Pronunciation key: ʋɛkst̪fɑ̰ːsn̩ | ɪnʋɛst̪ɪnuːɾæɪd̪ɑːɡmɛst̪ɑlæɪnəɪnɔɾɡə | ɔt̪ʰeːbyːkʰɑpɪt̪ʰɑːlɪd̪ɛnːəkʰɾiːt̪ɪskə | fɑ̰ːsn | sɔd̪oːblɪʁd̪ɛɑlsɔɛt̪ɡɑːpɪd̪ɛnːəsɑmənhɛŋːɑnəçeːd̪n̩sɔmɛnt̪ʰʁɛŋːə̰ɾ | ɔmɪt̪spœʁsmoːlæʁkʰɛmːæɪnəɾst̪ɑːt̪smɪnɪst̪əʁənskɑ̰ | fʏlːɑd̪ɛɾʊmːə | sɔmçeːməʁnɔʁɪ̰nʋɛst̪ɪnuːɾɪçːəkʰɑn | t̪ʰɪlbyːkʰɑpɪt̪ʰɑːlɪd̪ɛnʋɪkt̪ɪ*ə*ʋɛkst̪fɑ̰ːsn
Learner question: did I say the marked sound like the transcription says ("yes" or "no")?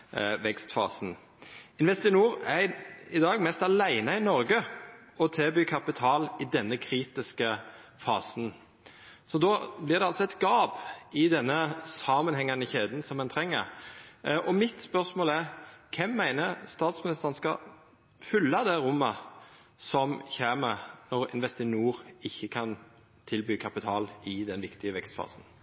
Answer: yes